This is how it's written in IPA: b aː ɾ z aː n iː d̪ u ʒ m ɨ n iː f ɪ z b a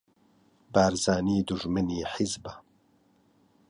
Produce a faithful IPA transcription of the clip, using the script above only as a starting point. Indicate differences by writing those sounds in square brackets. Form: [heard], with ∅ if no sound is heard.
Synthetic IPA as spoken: b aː ɾ z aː n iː d̪ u ʒ m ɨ n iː [ħ] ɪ z b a